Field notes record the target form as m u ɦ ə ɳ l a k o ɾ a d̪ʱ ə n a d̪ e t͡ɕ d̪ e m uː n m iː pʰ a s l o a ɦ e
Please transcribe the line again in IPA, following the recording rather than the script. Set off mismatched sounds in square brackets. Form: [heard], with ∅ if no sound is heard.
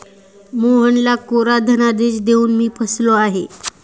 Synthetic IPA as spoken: m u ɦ ə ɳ l a k o ɾ a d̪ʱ ə n a d̪ e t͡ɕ d̪ e [∅] uː n m iː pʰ [ə] s l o a ɦ e